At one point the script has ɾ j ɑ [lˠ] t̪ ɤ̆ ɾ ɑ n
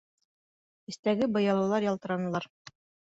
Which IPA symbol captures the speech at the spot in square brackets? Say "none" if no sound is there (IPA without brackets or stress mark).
lˠ